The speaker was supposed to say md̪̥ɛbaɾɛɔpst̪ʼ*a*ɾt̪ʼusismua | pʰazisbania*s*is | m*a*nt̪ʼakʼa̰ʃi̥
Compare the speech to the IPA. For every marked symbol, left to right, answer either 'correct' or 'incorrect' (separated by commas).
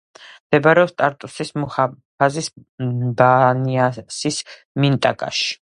correct, correct, incorrect